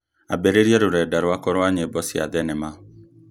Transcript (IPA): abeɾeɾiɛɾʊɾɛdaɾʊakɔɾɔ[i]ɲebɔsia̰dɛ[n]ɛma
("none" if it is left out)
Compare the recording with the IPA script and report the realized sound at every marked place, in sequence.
a, n

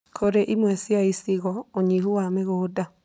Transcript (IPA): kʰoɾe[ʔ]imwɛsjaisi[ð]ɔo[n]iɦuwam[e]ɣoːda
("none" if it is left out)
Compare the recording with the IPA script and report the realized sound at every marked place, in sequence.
ʔ, ɣ, ɲ, e

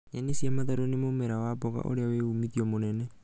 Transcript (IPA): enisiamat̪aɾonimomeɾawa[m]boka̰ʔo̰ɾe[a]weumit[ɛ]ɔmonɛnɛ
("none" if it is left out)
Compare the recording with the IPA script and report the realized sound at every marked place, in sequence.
none, a, i

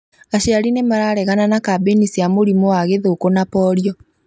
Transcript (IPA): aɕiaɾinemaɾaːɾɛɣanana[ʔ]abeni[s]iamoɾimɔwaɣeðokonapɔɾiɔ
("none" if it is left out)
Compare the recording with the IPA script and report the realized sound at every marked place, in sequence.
k, s

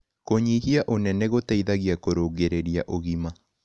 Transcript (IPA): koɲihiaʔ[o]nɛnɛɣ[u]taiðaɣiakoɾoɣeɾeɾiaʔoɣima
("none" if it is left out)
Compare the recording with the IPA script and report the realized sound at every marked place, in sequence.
o, o

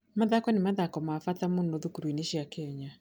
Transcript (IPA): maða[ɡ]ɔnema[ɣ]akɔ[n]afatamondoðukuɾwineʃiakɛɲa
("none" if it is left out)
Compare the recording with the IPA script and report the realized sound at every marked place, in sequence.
k, ð, m

